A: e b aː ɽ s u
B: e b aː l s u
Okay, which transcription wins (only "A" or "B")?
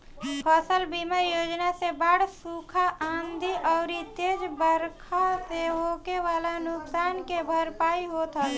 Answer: A